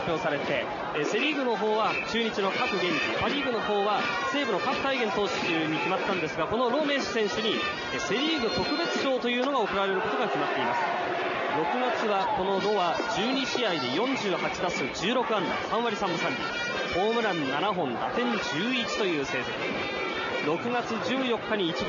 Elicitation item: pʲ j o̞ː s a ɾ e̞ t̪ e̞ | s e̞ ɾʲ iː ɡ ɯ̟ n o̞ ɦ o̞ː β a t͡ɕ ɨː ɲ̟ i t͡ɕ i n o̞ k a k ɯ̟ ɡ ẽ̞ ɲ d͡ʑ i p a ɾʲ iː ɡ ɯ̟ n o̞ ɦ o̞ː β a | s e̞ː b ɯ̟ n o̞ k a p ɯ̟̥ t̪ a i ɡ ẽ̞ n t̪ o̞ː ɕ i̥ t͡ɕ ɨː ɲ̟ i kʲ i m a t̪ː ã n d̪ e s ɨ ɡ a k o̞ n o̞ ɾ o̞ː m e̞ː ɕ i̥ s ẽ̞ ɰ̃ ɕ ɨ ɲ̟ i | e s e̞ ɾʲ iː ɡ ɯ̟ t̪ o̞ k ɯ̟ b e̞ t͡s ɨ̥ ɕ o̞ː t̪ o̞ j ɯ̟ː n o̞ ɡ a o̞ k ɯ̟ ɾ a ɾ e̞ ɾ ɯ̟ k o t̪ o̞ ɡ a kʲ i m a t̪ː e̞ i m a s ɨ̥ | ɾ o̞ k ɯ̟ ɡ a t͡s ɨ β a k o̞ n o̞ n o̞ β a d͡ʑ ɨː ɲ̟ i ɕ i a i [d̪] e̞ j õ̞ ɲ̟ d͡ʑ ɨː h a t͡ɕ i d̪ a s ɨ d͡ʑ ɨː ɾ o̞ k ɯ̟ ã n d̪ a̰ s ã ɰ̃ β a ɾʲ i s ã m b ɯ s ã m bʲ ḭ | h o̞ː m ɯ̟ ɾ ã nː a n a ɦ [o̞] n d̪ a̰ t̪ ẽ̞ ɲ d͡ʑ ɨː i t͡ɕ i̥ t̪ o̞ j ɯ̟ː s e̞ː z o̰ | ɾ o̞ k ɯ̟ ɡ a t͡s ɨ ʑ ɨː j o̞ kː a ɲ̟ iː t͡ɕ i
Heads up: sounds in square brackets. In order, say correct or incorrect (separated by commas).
correct, incorrect